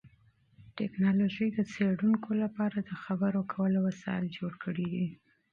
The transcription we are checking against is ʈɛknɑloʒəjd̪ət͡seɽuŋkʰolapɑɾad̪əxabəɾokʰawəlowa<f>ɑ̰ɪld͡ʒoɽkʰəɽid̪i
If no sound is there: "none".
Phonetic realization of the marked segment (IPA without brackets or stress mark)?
s